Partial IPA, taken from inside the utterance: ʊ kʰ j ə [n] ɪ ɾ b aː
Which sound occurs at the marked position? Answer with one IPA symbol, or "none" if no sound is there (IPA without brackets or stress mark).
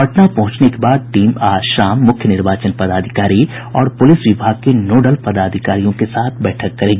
n